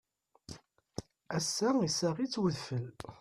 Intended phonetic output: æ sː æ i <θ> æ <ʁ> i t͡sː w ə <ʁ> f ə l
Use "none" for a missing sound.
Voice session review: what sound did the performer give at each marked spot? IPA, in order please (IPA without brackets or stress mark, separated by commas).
s, ʁ, ð